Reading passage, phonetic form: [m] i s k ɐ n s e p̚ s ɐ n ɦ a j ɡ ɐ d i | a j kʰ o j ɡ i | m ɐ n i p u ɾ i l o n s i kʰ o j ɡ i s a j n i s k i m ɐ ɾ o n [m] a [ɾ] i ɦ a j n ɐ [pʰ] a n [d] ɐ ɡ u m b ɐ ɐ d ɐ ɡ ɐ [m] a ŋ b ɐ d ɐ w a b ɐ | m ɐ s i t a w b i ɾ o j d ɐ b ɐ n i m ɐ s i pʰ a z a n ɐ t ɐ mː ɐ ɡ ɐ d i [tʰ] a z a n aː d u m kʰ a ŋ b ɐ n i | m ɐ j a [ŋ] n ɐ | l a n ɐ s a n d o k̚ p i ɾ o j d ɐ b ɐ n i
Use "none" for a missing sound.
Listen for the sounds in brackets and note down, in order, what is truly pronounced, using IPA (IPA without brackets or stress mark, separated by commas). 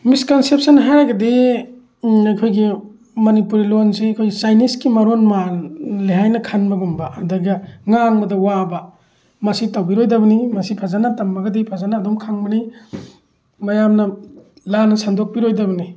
m, m, l, kʰ, b, ŋ, pʰ, m